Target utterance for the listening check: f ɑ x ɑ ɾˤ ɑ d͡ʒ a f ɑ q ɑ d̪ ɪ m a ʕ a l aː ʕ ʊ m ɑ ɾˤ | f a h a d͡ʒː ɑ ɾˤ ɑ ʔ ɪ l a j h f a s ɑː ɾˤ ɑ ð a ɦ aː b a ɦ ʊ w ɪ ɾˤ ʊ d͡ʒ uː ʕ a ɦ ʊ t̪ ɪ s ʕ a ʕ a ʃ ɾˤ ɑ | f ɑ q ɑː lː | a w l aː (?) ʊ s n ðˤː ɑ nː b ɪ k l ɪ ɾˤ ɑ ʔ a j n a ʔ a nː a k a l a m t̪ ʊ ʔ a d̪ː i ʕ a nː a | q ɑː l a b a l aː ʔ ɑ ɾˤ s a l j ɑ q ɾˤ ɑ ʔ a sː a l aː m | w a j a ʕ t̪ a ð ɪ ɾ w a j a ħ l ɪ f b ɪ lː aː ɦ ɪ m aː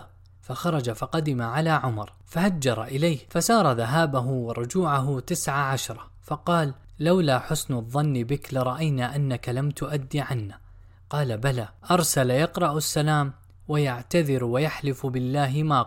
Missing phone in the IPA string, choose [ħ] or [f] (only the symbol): ħ